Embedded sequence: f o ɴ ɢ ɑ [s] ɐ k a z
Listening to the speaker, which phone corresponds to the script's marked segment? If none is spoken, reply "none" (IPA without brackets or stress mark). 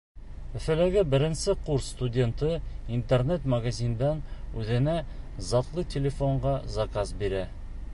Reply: z